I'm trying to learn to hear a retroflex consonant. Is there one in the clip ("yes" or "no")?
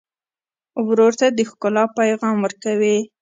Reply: no